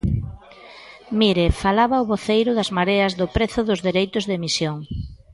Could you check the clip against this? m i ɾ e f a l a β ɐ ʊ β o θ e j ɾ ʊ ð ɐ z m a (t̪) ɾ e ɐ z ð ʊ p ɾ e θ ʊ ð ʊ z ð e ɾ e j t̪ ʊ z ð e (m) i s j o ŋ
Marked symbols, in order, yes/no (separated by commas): no, yes